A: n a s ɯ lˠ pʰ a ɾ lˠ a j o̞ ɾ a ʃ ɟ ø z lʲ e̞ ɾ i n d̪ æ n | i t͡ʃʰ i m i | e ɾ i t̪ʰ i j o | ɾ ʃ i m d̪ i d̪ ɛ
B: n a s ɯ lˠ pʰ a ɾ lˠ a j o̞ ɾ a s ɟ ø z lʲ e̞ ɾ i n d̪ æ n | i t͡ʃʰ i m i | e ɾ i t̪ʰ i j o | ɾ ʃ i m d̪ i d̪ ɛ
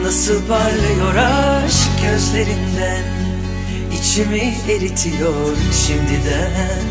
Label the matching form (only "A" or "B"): A